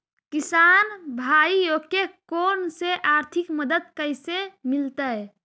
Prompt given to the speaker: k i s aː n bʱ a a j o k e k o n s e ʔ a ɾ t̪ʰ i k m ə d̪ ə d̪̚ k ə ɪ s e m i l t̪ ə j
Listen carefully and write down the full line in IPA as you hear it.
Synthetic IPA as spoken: k i s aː n bʱ a i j o k e k o n s e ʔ a ɾ t̪ʰ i k m ə d̪ ə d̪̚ k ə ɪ s e m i l t̪ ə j